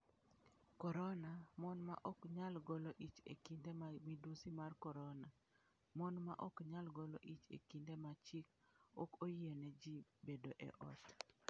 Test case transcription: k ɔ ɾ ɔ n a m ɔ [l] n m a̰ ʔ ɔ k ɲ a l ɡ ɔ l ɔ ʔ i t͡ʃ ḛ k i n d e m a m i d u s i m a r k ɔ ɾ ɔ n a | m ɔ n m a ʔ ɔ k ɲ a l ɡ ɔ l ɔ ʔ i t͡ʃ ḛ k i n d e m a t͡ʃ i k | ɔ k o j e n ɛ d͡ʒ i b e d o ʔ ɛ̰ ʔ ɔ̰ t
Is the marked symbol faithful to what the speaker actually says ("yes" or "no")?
no